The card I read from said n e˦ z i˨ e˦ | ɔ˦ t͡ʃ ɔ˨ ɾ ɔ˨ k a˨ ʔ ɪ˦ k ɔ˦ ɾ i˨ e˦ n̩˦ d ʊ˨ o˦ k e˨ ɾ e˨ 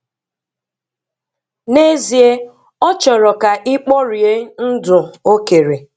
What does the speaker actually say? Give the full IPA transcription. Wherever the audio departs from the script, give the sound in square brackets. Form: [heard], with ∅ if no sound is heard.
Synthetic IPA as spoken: n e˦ z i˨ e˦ | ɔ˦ t͡ʃ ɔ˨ ɾ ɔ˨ k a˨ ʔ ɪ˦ [k͡p] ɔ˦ ɾ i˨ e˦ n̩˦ d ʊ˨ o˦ k e˨ ɾ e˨